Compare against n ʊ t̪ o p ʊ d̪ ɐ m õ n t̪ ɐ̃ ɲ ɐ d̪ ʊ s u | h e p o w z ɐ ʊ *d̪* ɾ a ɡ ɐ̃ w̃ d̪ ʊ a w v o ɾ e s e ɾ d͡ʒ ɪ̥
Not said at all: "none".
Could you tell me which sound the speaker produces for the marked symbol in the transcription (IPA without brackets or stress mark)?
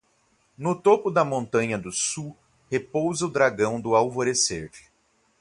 d̪